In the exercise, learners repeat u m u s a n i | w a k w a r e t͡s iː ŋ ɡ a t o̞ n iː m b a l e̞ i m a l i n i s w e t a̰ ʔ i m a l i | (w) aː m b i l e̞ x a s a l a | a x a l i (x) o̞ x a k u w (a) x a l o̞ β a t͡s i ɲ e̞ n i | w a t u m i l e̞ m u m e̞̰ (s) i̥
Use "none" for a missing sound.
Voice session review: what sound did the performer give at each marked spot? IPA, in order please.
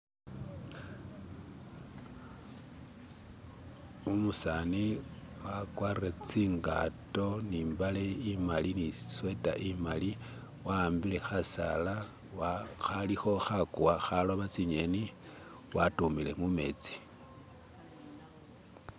w, x, a, t͡s

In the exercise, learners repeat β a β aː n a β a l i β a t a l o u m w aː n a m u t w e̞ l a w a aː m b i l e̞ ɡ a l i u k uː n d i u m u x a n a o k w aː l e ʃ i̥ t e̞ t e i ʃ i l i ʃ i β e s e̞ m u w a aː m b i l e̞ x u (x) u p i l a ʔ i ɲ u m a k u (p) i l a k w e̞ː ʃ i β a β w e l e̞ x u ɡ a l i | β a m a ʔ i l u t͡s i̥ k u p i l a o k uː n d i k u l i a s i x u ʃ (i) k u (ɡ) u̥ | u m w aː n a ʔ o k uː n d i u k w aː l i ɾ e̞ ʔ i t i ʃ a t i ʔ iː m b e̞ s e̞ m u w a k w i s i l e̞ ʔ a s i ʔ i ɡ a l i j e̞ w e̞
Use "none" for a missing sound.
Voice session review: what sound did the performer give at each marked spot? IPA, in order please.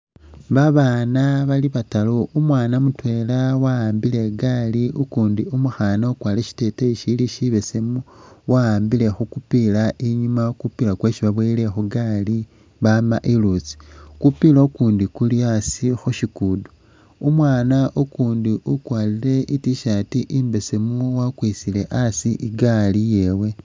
k, p, i, d

